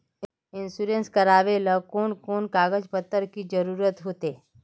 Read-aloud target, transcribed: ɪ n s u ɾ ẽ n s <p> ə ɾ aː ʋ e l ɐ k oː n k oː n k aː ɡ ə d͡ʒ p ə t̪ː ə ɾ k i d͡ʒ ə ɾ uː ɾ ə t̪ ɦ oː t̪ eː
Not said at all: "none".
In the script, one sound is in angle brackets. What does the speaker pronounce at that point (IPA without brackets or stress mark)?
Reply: k